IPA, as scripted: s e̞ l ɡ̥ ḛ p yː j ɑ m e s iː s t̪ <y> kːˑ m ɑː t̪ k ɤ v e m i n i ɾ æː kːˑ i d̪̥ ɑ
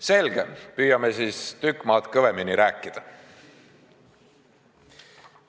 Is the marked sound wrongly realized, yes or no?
no